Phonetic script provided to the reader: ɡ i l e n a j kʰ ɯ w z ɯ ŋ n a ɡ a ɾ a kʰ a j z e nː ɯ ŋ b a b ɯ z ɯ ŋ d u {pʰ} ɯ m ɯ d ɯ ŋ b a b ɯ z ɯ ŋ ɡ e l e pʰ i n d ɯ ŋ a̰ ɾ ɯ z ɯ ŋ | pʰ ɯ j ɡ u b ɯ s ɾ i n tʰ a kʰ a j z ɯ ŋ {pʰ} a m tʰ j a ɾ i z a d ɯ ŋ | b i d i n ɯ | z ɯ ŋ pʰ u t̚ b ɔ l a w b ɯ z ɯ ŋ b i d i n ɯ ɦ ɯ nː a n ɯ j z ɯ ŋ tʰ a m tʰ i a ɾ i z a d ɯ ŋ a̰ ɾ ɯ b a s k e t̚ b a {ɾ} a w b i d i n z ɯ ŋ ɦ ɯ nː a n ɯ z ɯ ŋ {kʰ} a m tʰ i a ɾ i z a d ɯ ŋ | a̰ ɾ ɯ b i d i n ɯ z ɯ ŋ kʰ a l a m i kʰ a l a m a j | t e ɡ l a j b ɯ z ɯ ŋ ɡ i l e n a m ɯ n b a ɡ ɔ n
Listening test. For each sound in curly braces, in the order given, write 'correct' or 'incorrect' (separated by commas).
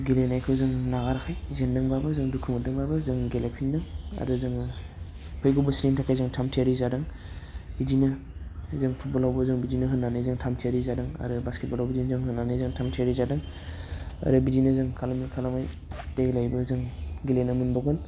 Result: incorrect, incorrect, incorrect, incorrect